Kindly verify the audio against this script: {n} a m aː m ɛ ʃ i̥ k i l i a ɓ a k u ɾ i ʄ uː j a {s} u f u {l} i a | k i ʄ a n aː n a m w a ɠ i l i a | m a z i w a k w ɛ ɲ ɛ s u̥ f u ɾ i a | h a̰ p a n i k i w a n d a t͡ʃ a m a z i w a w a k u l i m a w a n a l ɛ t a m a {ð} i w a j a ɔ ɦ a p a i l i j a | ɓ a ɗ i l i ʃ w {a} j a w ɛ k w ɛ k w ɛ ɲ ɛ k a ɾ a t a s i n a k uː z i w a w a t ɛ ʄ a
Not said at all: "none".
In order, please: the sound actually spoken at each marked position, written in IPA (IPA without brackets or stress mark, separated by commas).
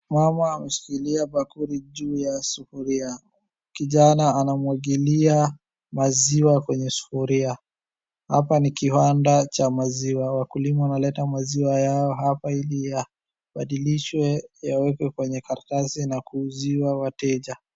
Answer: m, s, ɾ, z, ɛ